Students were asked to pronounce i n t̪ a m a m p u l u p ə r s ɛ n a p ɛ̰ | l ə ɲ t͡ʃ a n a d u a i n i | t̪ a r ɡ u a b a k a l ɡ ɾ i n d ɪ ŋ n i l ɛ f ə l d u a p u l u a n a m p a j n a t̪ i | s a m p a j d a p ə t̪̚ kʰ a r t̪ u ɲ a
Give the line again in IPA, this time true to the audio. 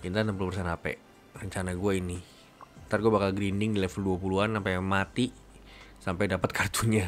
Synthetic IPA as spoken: i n t̪ a n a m p u l u p ə r s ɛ n a p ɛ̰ | r ə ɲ t͡ʃ a n a ɡ u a i n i | t̪ a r ɡ u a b a k a l ɡ ɾ i n d ɪ ŋ d i l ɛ f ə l d u a p u l u a n a m p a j m a t̪ i | s a m p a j d a p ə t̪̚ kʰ a r t̪ u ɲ a